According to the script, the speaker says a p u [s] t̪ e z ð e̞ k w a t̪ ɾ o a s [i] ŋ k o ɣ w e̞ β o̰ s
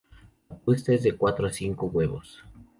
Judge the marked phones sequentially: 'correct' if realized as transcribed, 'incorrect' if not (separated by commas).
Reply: correct, correct